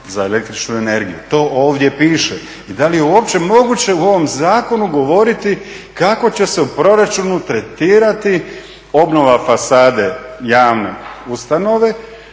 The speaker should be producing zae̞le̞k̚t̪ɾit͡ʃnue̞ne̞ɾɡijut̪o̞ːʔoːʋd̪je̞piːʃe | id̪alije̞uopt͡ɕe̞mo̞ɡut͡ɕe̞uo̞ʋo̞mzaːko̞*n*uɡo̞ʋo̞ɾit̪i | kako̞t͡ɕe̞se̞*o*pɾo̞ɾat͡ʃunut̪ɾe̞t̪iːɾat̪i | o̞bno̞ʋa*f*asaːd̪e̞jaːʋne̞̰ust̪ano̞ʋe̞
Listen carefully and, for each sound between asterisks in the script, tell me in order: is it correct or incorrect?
correct, incorrect: u, correct

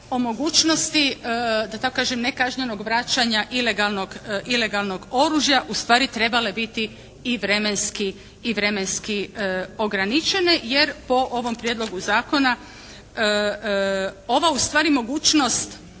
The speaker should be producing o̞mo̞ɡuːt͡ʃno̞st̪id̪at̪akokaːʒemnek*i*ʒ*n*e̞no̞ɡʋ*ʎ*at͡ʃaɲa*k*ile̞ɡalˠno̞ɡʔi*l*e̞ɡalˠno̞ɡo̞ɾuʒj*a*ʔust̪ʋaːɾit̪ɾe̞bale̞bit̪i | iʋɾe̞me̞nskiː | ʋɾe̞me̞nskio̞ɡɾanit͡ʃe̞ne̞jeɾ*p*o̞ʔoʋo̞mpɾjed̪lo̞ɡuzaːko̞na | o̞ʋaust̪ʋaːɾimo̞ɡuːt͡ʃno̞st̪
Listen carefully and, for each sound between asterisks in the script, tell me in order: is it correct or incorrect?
incorrect: a, incorrect: ɲ, incorrect: ɾ, incorrect: ʔ, correct, correct, correct

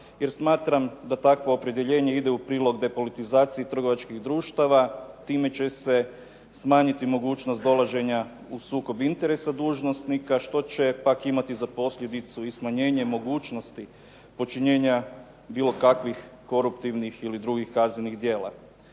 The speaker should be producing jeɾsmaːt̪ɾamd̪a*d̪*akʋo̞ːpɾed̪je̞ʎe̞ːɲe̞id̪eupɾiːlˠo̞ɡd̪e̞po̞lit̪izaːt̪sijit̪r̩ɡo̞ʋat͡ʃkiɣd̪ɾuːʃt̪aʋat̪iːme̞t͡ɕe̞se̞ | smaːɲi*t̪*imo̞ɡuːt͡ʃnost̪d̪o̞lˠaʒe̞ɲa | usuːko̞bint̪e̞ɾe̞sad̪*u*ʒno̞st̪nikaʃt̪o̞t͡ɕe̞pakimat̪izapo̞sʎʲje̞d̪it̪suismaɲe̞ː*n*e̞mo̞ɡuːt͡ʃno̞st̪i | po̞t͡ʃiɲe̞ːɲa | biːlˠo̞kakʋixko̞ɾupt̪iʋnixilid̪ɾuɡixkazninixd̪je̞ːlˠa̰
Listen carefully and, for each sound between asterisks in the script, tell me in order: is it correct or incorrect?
incorrect: t̪, correct, incorrect: uː, incorrect: ɲ

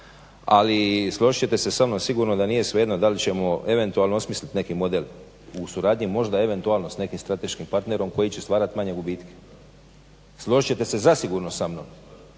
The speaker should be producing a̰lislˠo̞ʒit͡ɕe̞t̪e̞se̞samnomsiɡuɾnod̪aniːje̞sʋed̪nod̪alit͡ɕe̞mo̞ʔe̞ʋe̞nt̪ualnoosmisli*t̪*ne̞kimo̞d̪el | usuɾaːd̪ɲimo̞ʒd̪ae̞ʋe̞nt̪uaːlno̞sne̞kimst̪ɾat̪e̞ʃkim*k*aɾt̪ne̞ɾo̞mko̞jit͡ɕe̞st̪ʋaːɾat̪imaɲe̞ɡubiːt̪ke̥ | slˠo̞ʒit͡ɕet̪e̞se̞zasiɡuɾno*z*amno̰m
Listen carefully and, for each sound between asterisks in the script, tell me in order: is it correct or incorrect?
correct, incorrect: p, incorrect: s

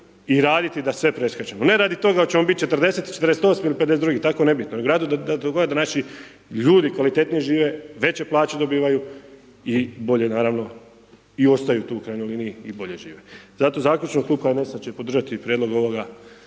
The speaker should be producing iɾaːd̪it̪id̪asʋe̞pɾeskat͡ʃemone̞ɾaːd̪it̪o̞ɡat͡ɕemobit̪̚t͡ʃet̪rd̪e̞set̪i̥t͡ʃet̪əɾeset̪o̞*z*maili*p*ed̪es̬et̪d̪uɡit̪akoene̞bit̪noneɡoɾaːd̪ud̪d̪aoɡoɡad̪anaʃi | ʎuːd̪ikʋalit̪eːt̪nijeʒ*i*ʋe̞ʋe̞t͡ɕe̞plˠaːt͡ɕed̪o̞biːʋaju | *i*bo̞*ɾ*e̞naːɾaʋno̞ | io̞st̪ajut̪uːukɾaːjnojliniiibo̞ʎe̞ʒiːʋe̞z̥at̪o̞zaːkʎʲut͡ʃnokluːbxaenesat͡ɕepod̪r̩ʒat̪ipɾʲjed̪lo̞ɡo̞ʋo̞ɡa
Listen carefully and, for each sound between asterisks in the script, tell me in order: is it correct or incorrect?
incorrect: s, correct, incorrect: iː, correct, incorrect: ʎ

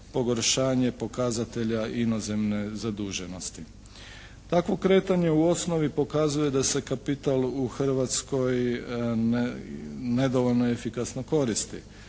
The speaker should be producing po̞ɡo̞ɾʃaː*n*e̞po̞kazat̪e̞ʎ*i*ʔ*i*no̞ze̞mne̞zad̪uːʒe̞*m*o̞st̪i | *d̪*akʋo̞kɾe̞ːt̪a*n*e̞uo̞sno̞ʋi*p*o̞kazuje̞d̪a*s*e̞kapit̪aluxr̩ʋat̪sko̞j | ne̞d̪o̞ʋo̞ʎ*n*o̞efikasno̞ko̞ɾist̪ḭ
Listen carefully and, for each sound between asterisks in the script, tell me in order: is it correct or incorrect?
incorrect: ɲ, incorrect: a, correct, incorrect: n, incorrect: t̪, incorrect: ɲ, correct, correct, correct

